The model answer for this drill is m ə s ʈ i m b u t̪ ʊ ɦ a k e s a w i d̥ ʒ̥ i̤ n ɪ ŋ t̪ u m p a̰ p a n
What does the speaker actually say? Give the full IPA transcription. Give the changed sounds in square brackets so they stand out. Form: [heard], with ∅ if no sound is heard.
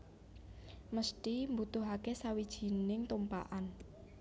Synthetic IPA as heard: m ə s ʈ i m b u t̪ ʊ ɦ a k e s a w i d̥ ʒ̥ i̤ n ɪ ŋ t̪ u m p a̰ [ʔ] a n